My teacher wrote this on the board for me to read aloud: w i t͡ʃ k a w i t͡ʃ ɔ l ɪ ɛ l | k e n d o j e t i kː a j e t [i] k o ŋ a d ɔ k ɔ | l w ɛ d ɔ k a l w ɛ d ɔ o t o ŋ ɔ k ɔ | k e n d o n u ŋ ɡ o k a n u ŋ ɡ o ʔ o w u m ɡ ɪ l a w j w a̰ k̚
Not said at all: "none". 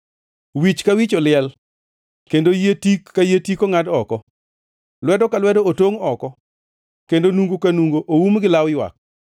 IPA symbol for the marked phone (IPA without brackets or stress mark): i